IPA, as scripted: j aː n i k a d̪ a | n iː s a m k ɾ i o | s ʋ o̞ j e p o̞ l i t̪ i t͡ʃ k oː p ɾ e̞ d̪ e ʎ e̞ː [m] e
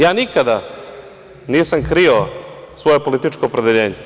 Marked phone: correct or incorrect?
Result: incorrect